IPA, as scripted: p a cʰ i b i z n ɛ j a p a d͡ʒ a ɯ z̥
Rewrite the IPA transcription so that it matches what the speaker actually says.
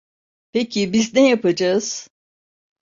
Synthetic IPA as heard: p e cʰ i b i z n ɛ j a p a d͡ʒ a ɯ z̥